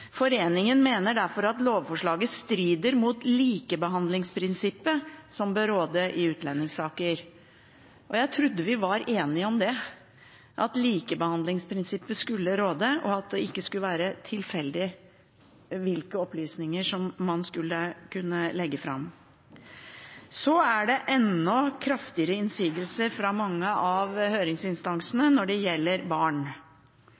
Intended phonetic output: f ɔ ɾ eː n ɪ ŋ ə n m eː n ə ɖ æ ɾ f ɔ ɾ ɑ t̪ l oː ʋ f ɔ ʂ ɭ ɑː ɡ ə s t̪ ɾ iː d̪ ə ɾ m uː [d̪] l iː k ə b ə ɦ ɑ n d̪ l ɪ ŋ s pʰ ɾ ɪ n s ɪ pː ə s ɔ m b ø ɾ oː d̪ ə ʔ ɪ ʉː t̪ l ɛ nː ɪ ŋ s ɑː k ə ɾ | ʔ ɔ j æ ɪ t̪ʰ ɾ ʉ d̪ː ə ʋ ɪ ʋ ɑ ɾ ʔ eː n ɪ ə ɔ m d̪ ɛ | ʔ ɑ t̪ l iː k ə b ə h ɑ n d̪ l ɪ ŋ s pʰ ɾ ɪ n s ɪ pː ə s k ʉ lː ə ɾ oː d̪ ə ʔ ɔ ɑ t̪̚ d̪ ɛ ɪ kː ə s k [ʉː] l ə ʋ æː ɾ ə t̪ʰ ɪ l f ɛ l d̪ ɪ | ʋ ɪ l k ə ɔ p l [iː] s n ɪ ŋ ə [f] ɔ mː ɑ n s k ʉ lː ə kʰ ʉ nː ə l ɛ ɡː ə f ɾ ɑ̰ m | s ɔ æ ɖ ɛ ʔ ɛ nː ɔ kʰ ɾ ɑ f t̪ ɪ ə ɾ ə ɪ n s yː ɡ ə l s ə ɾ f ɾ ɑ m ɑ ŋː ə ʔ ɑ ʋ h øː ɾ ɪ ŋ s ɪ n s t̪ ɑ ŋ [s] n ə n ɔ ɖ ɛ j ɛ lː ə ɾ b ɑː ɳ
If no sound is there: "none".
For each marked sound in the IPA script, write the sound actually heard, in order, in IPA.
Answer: t̪, ʉ, yː, ʂ, s

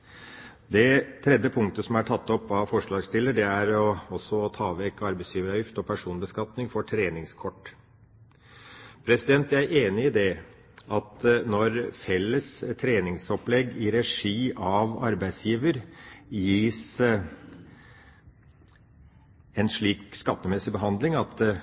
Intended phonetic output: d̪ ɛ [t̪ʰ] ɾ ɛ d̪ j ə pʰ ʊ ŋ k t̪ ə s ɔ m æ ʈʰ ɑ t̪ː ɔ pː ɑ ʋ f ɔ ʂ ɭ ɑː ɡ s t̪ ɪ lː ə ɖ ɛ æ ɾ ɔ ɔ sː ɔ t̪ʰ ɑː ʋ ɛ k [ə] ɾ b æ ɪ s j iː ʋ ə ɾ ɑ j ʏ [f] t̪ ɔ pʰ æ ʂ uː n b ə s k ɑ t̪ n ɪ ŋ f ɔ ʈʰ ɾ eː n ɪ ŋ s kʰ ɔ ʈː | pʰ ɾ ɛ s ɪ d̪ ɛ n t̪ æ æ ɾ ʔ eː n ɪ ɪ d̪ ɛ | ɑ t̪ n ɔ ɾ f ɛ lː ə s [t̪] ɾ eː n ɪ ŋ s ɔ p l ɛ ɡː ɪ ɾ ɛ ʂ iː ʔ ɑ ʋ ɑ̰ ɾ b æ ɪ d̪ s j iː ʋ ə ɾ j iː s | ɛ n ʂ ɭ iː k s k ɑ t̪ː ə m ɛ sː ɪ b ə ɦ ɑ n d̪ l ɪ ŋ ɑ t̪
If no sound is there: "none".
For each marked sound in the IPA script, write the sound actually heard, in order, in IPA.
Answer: t̪ʰ, ɑ, f, t̪ʰ

